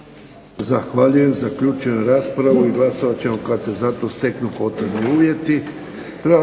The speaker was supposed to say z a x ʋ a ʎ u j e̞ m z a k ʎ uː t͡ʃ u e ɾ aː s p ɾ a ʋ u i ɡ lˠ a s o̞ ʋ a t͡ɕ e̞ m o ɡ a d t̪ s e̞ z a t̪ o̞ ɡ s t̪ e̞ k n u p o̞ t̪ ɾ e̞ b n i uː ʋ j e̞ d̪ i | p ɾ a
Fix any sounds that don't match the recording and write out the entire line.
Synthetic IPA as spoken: z a x ʋ a ʎ u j e̞ m z a k ʎ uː t͡ʃ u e ɾ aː s p ɾ a ʋ u i ɡ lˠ a s o̞ ʋ a t͡ɕ e̞ m o k a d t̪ s e̞ z a t̪ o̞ s t̪ e̞ k n u p o̞ t̪ ɾ e̞ b n i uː ʋ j e̞ t̪ i | p ɾ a